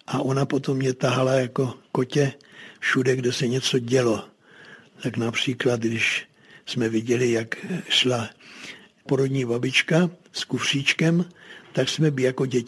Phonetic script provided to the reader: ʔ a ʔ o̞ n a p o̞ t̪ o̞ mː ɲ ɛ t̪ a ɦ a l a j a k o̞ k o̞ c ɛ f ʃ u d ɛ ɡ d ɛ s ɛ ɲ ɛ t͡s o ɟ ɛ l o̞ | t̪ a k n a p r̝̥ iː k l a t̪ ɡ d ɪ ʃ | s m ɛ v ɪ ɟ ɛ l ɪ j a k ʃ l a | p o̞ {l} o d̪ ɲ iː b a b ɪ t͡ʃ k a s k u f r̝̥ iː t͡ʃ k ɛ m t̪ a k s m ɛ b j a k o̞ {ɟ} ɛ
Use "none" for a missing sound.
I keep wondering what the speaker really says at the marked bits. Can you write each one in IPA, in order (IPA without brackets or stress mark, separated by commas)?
ɾ, ɟ